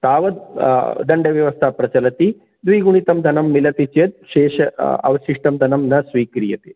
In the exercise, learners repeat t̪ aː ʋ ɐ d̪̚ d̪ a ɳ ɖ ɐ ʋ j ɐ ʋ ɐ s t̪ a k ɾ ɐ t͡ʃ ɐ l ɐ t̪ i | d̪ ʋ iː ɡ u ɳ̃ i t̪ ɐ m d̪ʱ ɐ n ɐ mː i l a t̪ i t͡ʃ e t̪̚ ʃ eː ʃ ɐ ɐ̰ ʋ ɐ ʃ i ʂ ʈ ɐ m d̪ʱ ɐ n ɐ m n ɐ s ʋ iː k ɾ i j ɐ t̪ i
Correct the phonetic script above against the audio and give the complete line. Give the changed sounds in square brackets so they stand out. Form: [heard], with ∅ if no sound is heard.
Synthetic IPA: t̪ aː ʋ ɐ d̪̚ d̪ [ɐ] ɳ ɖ ɐ ʋ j ɐ ʋ ɐ s [t̪ʰ] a [p] ɾ ɐ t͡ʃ ɐ l ɐ t̪ i | d̪ ʋ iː ɡ u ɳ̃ i t̪ ɐ m d̪ʱ ɐ n ɐ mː i l [ɐ] t̪ i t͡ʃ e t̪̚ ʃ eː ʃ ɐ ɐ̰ ʋ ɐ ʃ i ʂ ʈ ɐ m d̪ʱ ɐ n ɐ m n ɐ s ʋ iː k ɾ i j ɐ t̪ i

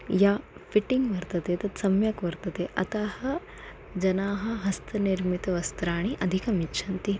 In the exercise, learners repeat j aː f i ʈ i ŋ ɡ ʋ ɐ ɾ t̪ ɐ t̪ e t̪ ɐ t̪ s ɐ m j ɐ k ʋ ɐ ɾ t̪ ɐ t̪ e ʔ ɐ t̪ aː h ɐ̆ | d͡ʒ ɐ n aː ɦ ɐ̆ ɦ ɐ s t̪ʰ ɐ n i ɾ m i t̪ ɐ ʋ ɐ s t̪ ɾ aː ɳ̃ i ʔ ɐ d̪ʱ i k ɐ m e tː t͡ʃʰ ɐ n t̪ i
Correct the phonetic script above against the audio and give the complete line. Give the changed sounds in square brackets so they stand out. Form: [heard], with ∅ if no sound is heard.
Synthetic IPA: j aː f i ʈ i ŋ ɡ ʋ ɐ ɾ t̪ ɐ t̪ e t̪ ɐ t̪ s ɐ m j ɐ k ʋ ɐ ɾ t̪ ɐ t̪ e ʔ ɐ t̪ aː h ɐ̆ | d͡ʒ ɐ n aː ɦ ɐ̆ ɦ ɐ s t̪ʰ ɐ n i ɾ m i t̪ ɐ ʋ ɐ s t̪ ɾ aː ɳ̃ i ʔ ɐ d̪ʱ i k ɐ m [i] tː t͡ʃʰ ɐ n t̪ i

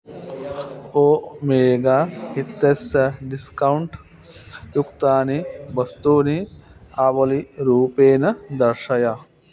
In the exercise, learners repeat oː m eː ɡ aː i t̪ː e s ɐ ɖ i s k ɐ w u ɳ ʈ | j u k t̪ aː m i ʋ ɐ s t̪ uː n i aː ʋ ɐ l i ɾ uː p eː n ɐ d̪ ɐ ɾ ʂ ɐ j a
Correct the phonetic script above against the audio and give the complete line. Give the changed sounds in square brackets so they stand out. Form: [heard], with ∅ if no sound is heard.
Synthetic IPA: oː m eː ɡ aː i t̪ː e s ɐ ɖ i s k ɐ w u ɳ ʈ | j u k t̪ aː [n] i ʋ ɐ s t̪ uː n i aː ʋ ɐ l i ɾ uː p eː n ɐ d̪ ɐ ɾ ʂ ɐ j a

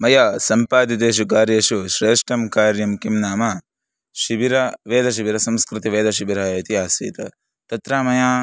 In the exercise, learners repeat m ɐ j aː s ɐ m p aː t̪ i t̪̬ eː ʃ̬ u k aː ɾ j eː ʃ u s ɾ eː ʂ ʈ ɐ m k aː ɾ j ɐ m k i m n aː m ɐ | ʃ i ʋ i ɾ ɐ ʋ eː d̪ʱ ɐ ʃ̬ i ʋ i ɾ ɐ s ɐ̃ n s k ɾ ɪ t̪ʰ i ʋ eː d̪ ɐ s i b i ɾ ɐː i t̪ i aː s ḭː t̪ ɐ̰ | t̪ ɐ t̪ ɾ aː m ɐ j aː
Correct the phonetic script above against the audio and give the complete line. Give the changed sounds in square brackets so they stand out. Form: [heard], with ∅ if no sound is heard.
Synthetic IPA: m ɐ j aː s ɐ m p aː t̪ i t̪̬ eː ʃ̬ u k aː ɾ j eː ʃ u [ʃ] ɾ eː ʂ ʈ ɐ m k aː ɾ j ɐ m k i m n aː m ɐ | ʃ i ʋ i ɾ ɐ ʋ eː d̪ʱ ɐ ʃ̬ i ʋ i ɾ ɐ s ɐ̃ [m] s k ɾ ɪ [t̪] i ʋ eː d̪ ɐ [ʃ] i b i ɾ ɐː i t̪ i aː s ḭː t̪ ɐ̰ | t̪ ɐ t̪ ɾ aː m ɐ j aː

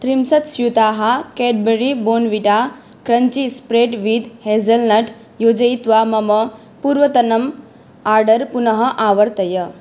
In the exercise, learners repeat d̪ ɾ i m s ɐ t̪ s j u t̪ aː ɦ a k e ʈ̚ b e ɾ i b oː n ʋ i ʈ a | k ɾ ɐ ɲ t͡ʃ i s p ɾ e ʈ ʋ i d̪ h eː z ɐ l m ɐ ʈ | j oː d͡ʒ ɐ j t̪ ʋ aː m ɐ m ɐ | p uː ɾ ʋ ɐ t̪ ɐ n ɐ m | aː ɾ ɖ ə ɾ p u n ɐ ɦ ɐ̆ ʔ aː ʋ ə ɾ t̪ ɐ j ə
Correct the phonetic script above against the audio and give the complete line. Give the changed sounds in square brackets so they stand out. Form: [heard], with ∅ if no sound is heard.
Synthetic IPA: [t̪] ɾ i m s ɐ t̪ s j u t̪ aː ɦ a k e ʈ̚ b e ɾ i b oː n ʋ i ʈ a | k ɾ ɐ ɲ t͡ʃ i s p ɾ e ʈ ʋ i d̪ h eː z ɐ l [n] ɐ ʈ | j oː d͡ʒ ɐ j t̪ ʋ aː m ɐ m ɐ | p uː ɾ ʋ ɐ t̪ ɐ n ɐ m | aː ɾ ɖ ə ɾ p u n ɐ ɦ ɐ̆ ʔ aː ʋ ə ɾ t̪ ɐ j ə

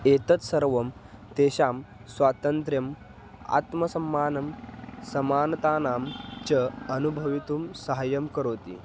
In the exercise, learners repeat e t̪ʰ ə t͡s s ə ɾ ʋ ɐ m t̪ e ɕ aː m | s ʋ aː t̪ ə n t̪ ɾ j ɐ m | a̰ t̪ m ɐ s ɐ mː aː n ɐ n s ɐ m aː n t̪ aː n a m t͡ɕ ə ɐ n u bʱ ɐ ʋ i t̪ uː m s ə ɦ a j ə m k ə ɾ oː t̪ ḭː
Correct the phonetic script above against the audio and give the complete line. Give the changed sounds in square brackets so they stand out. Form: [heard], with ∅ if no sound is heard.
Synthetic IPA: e [t̪] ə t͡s s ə ɾ ʋ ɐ m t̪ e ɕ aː m | s ʋ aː t̪ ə n t̪ ɾ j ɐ m | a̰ t̪ m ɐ s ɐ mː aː n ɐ [m] s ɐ m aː n t̪ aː n a m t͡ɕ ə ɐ n u bʱ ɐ ʋ i t̪ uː m s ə ɦ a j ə m k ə ɾ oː t̪ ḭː

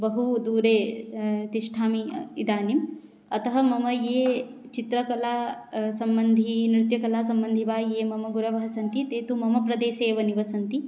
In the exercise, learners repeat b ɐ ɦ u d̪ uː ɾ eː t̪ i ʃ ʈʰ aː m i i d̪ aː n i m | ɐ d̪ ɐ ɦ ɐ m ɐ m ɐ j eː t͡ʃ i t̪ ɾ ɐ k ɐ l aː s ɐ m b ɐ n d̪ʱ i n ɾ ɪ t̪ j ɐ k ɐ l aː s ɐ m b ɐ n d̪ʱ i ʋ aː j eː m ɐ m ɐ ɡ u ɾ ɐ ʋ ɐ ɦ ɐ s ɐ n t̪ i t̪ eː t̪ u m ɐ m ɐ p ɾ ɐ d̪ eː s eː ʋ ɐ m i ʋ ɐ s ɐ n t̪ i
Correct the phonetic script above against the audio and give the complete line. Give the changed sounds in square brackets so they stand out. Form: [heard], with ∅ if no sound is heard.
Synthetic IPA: b ɐ ɦ u d̪ uː ɾ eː t̪ i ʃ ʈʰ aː m i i d̪ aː n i m | ɐ [t̪] ɐ ɦ ɐ m ɐ m ɐ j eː t͡ʃ i t̪ ɾ ɐ k ɐ l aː s ɐ m b ɐ n d̪ʱ i n ɾ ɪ t̪ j ɐ k ɐ l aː s ɐ m b ɐ n d̪ʱ i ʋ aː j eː m ɐ m ɐ ɡ u ɾ ɐ ʋ ɐ ɦ ɐ s ɐ n t̪ i t̪ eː t̪ u m ɐ m ɐ p ɾ ɐ d̪ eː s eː ʋ ɐ [n] i ʋ ɐ s ɐ n t̪ i

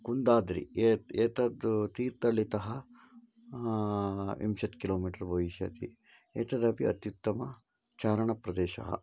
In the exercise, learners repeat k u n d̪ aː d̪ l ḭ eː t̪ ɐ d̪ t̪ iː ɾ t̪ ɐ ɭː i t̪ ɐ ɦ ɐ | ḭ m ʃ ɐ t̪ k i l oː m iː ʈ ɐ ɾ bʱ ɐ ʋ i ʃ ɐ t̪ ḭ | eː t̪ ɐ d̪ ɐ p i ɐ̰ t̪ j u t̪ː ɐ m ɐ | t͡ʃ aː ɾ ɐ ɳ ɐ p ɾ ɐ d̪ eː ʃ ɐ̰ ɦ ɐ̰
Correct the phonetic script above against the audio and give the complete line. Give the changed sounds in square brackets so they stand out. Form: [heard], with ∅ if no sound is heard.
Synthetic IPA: k u n d̪ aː d̪ [ɾ] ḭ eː t̪ ɐ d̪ t̪ iː ɾ t̪ ɐ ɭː i t̪ ɐ ɦ ɐ | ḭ m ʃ ɐ t̪ k i l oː m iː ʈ ɐ ɾ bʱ ɐ ʋ i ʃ ɐ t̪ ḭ | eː t̪ ɐ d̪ ɐ p i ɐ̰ t̪ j u t̪ː ɐ m ɐ | t͡ʃ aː ɾ ɐ ɳ ɐ p ɾ ɐ d̪ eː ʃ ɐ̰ ɦ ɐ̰

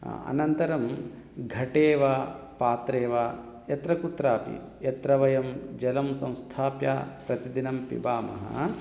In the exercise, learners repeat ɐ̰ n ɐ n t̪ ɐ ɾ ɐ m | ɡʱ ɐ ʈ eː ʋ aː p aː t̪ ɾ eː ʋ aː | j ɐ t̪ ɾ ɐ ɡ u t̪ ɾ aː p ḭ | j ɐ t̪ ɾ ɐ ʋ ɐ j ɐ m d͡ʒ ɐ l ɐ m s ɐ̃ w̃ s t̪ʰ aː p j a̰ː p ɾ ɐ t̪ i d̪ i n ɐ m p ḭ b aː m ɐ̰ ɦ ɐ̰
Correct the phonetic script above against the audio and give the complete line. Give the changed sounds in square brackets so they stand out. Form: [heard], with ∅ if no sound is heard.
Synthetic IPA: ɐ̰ n ɐ n t̪ ɐ ɾ ɐ m | ɡʱ ɐ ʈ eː ʋ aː p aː t̪ ɾ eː ʋ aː | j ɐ t̪ ɾ ɐ [k] u t̪ ɾ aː p ḭ | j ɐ t̪ ɾ ɐ ʋ ɐ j ɐ m d͡ʒ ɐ l ɐ m s ɐ̃ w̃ s t̪ʰ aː p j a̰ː p ɾ ɐ t̪ i d̪ i n ɐ m p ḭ b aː m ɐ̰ ɦ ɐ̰

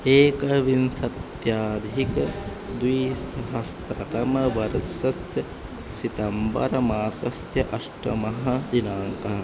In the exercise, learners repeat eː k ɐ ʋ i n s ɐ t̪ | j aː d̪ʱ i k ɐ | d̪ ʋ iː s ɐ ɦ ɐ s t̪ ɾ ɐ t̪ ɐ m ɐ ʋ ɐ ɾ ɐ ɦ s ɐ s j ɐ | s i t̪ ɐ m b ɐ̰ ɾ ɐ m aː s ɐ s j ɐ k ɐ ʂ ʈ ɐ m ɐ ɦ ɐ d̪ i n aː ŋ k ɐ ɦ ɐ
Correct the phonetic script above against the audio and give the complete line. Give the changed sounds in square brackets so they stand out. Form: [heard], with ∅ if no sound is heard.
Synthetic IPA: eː k ɐ ʋ i n s ɐ t̪ | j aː d̪ʱ i k ɐ | d̪ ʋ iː s ɐ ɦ ɐ s t̪ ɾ ɐ t̪ ɐ m ɐ ʋ ɐ ɾ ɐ [∅] s ɐ s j ɐ | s i t̪ ɐ m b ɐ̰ ɾ ɐ m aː s ɐ s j ɐ [ʔ] ɐ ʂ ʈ ɐ m ɐ ɦ ɐ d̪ i n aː ŋ k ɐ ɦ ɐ

